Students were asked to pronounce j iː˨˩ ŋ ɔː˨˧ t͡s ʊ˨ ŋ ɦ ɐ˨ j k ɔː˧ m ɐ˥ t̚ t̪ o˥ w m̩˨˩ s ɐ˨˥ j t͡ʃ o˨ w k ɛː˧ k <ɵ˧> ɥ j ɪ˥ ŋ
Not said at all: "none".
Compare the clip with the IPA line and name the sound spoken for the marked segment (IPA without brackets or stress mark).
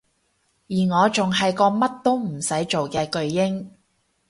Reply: ɵ˧